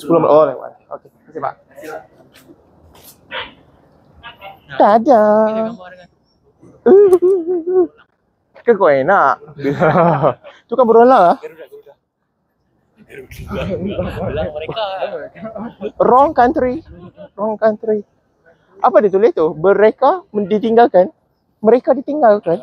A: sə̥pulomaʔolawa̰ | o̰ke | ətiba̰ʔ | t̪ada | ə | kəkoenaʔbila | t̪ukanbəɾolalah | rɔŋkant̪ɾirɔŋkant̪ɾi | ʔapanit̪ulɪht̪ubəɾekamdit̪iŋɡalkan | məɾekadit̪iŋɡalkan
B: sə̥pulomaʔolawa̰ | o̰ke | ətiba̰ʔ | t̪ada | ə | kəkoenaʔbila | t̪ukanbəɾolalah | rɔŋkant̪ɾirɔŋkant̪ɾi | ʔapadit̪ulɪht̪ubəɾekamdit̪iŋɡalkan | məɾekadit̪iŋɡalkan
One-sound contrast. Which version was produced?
B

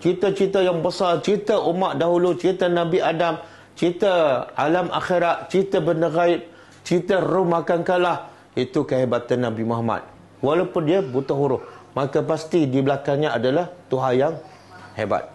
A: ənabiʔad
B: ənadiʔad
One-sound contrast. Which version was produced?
A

